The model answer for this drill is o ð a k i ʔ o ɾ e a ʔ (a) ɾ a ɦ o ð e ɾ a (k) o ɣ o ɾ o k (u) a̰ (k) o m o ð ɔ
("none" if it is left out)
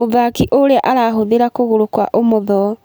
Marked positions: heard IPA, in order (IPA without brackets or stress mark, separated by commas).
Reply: a, k, w, ʔ